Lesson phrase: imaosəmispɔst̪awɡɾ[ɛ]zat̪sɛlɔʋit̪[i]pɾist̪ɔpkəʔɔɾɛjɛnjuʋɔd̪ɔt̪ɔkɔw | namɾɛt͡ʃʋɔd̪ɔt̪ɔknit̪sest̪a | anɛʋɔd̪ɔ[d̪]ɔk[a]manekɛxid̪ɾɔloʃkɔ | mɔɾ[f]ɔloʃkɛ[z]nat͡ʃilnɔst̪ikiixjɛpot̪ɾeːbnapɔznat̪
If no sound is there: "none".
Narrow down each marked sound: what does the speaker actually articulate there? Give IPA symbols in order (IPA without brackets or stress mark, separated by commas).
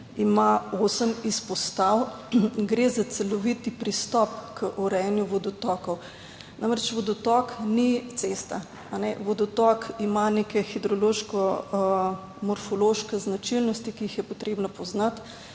e, i, t̪, i, f, z